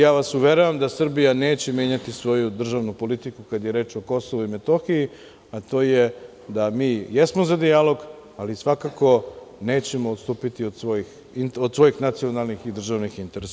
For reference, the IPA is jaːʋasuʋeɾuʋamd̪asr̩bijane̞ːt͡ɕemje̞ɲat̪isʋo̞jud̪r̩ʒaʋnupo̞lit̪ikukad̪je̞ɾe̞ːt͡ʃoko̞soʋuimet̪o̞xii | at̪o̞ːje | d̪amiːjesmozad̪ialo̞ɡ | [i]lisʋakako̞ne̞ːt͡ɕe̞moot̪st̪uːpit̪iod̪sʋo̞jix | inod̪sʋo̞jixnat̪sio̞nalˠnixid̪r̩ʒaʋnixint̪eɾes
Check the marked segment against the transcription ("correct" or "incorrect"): incorrect